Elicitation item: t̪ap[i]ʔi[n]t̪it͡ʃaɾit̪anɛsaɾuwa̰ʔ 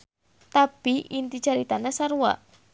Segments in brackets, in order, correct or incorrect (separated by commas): correct, correct